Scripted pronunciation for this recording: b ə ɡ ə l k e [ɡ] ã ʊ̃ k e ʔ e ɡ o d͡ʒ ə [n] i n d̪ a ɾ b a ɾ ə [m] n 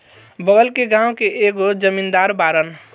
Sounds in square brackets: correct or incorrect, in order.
correct, incorrect: m, incorrect: none

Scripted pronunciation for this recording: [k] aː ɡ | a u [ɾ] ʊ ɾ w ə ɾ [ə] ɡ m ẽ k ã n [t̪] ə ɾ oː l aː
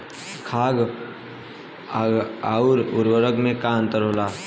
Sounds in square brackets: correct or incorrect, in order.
incorrect: kʰ, correct, correct, correct

